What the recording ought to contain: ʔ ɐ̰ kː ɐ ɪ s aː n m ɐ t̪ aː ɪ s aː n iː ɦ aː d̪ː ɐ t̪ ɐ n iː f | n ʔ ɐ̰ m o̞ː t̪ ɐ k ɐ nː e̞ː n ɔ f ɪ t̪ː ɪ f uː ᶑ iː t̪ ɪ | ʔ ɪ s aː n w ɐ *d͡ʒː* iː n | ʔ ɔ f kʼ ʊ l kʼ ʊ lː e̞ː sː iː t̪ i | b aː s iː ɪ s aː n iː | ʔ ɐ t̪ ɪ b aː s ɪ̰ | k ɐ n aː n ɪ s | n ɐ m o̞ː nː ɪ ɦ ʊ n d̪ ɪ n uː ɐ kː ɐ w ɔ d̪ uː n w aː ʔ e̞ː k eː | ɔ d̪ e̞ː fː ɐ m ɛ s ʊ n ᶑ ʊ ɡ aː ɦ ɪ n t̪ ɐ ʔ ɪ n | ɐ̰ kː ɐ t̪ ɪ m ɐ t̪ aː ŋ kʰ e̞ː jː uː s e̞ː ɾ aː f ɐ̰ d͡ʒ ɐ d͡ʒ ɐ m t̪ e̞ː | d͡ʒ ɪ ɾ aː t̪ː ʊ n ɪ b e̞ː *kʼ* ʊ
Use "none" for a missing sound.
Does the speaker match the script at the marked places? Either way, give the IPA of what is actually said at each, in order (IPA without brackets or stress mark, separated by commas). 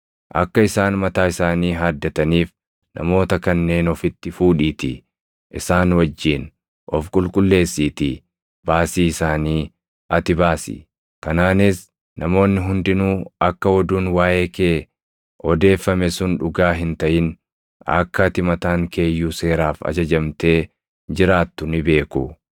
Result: d͡ʒː, k